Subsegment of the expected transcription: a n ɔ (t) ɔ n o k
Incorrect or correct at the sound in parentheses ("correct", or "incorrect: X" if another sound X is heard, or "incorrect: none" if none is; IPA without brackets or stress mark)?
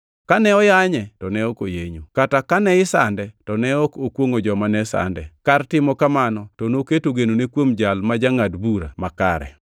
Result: correct